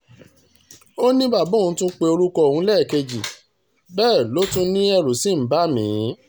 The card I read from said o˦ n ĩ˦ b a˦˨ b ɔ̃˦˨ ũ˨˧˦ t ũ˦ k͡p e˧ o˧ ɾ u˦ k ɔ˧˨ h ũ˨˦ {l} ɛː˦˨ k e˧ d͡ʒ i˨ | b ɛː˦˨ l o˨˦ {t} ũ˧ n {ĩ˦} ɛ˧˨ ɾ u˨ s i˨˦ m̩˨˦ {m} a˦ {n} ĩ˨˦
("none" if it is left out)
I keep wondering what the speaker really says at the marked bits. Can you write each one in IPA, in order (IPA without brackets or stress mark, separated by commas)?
l, t, ĩ˦, b, m